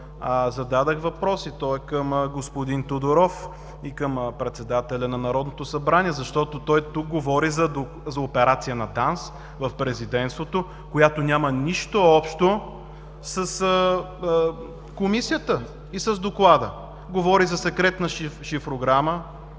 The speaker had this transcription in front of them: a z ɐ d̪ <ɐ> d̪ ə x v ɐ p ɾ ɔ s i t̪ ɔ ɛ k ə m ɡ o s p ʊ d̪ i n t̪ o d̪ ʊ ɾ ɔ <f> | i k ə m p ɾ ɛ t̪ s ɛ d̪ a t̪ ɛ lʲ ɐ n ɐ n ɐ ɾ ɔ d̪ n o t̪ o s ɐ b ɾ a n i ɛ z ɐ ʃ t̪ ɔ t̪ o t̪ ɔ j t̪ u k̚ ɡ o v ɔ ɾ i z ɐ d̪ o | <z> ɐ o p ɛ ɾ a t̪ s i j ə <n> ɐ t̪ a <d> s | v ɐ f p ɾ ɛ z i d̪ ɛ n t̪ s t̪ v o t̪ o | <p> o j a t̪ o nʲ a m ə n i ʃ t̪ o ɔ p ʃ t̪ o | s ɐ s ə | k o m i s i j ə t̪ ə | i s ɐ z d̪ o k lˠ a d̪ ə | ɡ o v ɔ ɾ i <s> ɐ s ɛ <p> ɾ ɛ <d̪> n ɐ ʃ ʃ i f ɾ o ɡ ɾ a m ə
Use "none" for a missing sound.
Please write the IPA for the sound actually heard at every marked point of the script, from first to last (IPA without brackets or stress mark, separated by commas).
a, f, z, n, n, k, z, k, t̪